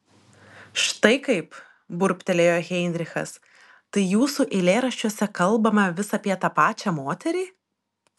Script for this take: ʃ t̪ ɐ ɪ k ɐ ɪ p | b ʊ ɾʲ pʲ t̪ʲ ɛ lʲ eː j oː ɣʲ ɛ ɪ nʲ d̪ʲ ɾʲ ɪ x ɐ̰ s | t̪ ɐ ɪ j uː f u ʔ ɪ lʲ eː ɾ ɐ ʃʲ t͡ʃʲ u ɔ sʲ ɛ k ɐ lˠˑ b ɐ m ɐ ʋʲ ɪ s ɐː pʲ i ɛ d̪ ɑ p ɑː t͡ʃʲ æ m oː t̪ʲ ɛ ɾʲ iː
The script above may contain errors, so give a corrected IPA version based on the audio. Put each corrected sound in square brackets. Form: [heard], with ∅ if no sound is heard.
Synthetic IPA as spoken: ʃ t̪ ɐ ɪ k ɐ ɪ p | b ʊ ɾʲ pʲ t̪ʲ ɛ lʲ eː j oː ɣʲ ɛ ɪ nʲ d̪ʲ ɾʲ ɪ x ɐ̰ s | t̪ ɐ ɪ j uː [s] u ʔ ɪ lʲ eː ɾ ɐ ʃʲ t͡ʃʲ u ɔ sʲ ɛ k ɐ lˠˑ b ɐ m ɐ ʋʲ ɪ s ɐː pʲ i ɛ [t̪] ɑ p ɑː t͡ʃʲ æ m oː t̪ʲ ɛ ɾʲ iː